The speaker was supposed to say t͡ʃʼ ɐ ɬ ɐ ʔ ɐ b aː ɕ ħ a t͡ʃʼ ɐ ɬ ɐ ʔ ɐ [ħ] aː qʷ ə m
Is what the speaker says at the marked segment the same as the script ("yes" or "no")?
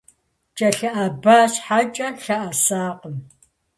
no